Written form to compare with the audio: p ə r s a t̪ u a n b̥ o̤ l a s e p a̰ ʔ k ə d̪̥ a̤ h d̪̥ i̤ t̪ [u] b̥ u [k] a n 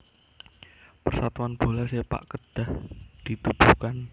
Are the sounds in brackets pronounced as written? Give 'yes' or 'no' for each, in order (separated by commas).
yes, yes